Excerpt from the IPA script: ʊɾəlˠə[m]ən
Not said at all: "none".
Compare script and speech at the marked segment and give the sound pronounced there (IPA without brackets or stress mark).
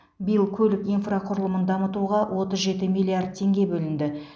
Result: m